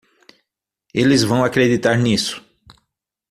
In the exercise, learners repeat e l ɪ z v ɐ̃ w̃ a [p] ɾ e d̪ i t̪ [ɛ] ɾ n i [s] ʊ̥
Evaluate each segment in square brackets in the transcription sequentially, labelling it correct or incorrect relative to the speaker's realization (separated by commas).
incorrect, incorrect, correct